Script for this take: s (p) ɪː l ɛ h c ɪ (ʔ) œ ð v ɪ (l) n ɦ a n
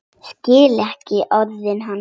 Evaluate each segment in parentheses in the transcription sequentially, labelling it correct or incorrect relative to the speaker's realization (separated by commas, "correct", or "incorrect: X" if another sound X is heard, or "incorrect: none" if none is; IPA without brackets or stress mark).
incorrect: c, correct, incorrect: none